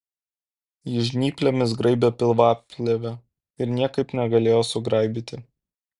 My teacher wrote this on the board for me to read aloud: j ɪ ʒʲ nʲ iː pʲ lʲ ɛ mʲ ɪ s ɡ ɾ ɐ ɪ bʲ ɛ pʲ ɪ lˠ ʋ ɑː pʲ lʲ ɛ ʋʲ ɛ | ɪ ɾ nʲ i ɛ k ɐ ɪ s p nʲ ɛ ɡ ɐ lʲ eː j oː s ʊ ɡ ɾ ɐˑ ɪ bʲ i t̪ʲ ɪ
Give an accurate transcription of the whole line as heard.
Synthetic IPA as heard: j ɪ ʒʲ nʲ iː pʲ lʲ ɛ mʲ ɪ s ɡ ɾ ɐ ɪ bʲ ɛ pʲ ɪ lˠ ʋ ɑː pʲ lʲ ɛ ʋʲ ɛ | ɪ ɾ nʲ i ɛ k ɐ ɪ p nʲ ɛ ɡ ɐ lʲ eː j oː s ʊ ɡ ɾ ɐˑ ɪ bʲ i t̪ʲ ɪ